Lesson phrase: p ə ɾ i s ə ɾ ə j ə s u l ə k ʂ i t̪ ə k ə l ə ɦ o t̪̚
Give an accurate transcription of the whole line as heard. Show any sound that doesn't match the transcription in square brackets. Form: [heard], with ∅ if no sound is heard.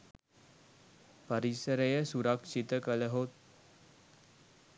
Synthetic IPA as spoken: p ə ɾ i s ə ɾ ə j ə s u [ɾ] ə k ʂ i t̪ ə k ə l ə ɦ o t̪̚